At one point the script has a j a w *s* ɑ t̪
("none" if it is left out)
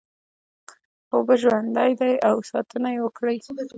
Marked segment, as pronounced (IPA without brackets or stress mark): s